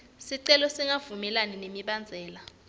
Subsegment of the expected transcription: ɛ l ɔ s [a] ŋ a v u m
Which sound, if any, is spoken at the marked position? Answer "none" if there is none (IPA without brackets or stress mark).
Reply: i